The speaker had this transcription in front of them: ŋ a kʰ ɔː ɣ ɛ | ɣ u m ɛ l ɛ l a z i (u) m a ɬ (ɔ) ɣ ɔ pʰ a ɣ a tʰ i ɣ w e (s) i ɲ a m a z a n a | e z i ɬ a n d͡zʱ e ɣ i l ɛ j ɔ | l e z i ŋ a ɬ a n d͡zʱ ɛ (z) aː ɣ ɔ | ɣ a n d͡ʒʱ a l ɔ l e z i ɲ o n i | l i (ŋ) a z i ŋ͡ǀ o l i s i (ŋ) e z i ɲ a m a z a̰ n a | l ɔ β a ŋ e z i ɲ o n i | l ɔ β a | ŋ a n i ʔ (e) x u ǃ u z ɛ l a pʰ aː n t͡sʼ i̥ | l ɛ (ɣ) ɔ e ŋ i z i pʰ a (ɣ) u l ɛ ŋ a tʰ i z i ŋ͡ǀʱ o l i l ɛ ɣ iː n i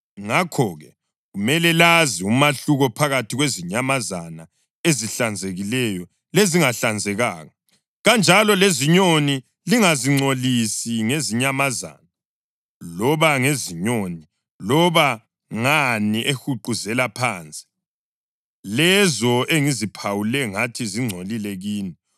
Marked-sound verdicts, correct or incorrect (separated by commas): correct, incorrect, incorrect, incorrect, correct, correct, correct, incorrect, incorrect